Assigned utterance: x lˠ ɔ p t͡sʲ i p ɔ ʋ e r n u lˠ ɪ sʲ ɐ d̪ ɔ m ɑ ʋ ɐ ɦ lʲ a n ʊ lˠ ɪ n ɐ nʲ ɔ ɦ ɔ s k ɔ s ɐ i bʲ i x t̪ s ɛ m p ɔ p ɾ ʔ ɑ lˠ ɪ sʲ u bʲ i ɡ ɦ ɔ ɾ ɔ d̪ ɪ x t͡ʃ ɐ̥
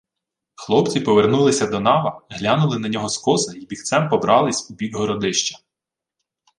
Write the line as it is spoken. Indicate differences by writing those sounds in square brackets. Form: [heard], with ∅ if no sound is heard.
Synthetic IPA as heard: x lˠ ɔ p t͡sʲ i p ɔ ʋ e r n u lˠ ɪ sʲ ɐ d̪ ɔ [n] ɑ ʋ ɐ ɦ lʲ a n ʊ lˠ ɪ n ɐ nʲ ɔ ɦ ɔ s k ɔ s ɐ i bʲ i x t̪ s ɛ m p ɔ [b] ɾ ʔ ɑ lˠ ɪ sʲ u bʲ i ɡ ɦ ɔ ɾ ɔ d̪ ɪ [ʃ] t͡ʃ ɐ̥